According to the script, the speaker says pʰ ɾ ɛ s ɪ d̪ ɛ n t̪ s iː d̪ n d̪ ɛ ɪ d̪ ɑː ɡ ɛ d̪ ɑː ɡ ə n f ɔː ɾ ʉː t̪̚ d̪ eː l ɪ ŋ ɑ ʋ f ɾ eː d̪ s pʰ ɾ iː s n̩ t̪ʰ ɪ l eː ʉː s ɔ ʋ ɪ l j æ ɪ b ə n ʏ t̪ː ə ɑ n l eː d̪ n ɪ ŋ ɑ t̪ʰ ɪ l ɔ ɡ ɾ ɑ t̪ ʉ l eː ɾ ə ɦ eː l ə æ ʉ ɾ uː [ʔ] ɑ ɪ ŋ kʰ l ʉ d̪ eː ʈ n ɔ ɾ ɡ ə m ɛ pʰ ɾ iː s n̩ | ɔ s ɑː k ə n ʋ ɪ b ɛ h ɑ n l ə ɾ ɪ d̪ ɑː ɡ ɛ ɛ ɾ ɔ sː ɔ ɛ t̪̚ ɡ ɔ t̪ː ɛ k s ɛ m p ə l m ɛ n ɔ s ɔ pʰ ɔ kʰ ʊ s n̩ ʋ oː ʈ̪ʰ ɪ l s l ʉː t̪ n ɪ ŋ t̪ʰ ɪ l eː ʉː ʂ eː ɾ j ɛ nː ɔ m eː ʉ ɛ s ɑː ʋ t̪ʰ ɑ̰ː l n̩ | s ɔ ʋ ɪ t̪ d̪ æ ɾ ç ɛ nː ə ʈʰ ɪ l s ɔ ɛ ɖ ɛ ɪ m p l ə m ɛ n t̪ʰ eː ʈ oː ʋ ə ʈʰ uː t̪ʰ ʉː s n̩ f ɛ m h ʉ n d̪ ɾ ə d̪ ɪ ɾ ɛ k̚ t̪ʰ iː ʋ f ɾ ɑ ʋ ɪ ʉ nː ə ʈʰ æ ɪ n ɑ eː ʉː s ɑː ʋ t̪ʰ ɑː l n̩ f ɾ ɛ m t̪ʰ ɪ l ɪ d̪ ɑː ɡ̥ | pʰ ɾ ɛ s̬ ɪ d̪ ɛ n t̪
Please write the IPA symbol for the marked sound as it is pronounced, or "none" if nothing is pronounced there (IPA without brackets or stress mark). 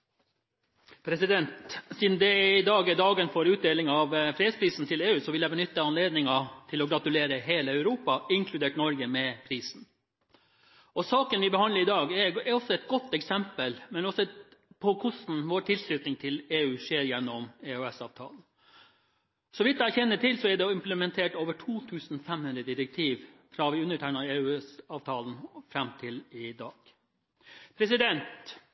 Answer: p